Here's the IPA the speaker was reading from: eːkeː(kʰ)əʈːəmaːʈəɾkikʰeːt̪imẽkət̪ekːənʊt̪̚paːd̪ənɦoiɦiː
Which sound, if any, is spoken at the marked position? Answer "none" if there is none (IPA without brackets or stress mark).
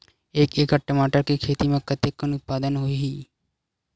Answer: k